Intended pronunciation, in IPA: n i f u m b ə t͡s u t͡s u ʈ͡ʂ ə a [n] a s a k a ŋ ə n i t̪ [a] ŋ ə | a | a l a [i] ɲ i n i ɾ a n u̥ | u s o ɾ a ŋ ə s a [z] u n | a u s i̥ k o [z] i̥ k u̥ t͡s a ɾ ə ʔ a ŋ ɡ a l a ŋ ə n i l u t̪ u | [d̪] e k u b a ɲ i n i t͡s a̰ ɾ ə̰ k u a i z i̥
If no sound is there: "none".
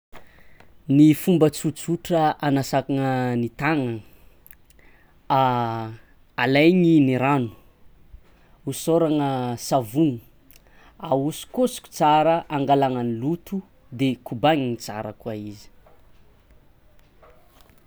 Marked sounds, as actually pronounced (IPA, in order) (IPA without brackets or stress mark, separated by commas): n, a, j, v, s, d̪